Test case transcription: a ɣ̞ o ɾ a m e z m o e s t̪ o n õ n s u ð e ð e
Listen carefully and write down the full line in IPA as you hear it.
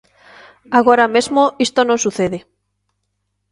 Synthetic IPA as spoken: a ɣ̞ o ɾ a m e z m o i s t̪ o n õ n s u θ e ð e